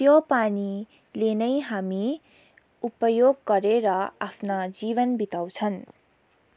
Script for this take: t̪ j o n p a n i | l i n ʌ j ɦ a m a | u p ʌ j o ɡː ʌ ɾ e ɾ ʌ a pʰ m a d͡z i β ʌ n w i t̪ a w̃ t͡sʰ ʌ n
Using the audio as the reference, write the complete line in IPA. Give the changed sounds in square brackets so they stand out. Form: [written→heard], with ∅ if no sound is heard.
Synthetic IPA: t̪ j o [n→∅] p a n i | l [i→e] n ʌ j ɦ a m [a→i] | u p ʌ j o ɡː ʌ ɾ e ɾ ʌ a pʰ [m→n] a d͡z i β ʌ n [w→b] i t̪ a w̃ t͡sʰ ʌ n